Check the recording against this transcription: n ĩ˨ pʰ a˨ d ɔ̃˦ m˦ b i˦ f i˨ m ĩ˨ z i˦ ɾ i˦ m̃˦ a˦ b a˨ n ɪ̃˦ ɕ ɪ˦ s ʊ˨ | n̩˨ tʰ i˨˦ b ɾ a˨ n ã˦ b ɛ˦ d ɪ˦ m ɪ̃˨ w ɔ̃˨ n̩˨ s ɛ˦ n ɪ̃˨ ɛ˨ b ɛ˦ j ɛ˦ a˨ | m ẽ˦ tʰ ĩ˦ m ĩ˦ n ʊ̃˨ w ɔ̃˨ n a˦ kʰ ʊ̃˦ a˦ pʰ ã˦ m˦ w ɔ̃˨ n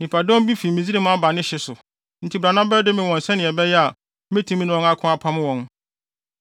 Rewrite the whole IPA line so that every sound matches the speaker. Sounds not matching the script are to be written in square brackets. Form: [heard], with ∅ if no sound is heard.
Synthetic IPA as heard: n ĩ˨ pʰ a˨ d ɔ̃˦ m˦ b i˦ f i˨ m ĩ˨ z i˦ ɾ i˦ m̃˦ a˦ b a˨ n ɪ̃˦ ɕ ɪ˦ s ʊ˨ | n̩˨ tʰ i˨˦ b ɾ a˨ n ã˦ b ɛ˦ d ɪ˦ m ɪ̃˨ w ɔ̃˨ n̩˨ s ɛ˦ n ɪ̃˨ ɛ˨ b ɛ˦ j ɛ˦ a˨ | m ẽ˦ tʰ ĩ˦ m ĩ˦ n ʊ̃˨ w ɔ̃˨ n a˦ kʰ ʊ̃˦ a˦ pʰ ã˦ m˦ w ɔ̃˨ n